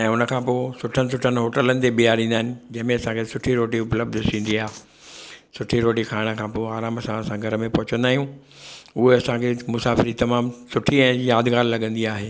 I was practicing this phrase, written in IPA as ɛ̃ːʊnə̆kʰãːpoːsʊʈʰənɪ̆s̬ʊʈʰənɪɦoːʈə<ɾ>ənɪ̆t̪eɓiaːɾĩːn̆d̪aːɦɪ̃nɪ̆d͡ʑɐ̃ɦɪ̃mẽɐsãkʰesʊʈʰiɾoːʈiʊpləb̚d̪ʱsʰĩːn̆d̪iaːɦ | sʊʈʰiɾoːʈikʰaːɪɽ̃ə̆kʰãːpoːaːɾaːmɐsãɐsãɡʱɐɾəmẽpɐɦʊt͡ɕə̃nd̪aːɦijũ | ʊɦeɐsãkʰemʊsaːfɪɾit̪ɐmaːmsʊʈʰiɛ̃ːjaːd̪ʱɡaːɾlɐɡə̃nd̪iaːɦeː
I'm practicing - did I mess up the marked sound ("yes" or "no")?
yes